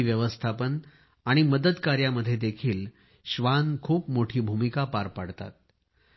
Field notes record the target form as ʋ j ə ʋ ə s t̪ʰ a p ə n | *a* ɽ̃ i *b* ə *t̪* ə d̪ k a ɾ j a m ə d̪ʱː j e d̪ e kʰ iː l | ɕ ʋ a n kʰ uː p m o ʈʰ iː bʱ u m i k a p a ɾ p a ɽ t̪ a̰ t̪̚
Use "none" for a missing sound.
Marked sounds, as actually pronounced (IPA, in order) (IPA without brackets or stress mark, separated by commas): a, m, d̪